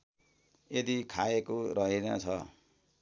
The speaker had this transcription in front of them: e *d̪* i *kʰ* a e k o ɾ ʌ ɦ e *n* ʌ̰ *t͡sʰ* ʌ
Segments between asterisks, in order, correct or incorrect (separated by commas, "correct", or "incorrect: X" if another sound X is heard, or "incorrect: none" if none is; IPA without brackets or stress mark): correct, correct, correct, correct